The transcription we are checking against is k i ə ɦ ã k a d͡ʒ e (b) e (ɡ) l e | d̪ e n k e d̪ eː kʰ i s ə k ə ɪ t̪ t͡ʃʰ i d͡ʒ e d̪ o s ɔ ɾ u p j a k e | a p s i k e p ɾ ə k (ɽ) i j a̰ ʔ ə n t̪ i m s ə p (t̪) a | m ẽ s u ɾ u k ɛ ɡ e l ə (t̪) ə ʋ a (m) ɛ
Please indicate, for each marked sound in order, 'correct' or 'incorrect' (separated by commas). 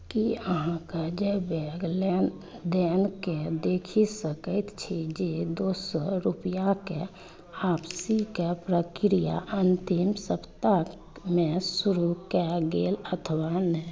correct, correct, incorrect, correct, incorrect, incorrect